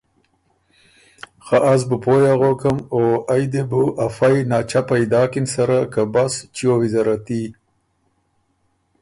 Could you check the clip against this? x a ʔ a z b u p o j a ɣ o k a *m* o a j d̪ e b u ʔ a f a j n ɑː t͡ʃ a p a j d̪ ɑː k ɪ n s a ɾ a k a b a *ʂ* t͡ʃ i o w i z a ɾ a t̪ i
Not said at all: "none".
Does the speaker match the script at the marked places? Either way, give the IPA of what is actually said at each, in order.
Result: m, s

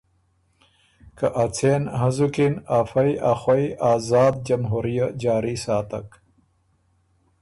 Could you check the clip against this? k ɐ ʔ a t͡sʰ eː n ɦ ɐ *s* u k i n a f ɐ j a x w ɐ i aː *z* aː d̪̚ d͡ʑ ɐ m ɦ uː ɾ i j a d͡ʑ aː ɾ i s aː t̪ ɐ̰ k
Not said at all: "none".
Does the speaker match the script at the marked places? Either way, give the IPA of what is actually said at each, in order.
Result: z, z

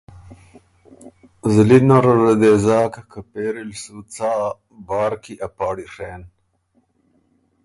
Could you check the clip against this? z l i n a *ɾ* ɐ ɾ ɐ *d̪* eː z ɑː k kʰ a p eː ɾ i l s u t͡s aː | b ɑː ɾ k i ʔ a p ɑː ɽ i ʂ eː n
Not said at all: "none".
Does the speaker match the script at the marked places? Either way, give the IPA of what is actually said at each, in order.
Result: ɾ, d̪

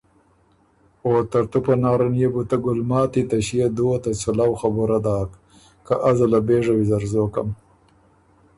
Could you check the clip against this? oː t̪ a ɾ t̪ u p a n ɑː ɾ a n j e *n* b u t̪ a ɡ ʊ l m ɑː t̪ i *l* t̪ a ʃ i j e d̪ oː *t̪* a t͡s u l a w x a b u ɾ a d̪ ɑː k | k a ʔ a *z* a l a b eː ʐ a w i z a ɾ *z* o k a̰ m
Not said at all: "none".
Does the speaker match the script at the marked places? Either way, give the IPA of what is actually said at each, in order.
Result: none, none, t̪, z, z

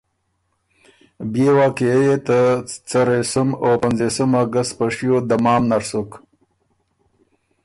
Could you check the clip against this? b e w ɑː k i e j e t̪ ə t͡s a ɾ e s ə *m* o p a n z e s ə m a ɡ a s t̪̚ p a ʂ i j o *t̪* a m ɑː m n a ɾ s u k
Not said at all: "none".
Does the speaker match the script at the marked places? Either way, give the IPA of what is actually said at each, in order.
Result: m, d̪

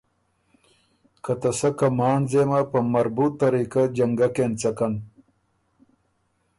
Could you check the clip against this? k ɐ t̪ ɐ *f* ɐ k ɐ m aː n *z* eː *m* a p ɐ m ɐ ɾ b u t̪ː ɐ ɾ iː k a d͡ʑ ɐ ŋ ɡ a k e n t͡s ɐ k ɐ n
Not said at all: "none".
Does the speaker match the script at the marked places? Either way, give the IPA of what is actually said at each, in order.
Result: s, z, m

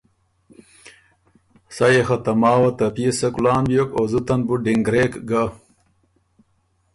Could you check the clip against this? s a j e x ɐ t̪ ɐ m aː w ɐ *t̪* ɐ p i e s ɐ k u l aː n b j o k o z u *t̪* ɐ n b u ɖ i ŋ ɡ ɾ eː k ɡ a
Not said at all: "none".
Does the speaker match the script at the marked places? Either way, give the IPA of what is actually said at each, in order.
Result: t̪, t̪

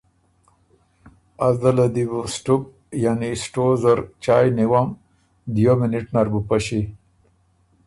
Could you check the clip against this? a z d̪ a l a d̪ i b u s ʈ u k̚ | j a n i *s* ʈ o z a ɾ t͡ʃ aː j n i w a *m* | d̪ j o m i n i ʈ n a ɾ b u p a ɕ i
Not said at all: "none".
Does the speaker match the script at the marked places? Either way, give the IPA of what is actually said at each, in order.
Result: s, m

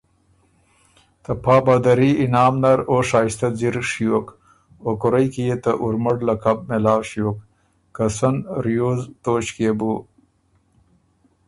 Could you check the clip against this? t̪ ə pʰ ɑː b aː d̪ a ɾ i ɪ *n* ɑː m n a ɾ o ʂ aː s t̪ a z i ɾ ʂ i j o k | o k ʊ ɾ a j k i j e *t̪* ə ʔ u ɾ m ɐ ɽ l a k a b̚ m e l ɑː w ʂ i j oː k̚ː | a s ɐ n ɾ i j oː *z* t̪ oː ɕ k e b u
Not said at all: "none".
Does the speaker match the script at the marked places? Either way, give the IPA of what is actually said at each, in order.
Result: n, t̪, z

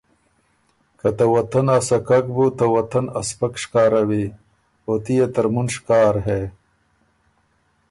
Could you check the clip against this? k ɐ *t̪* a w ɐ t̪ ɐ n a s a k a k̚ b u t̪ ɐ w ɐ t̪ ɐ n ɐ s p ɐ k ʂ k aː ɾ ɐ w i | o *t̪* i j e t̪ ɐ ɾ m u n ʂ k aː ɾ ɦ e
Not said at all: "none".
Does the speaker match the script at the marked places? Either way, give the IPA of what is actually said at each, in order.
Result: t̪, t̪

